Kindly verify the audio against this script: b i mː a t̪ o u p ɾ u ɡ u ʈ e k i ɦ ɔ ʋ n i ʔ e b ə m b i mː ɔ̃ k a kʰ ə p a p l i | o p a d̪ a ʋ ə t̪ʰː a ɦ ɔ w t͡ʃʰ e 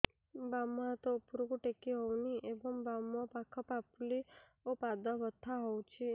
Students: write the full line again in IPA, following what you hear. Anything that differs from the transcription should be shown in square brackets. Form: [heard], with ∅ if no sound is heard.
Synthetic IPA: b [a] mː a t̪ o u p ɾ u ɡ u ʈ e k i ɦ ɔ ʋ n i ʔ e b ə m b [a] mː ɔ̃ [p] a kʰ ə p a p l i | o p a d̪ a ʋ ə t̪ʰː a ɦ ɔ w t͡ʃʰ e